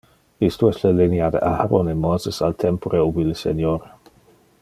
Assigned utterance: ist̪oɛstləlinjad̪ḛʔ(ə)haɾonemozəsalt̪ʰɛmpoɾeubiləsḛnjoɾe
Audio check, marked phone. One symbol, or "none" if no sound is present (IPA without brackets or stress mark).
a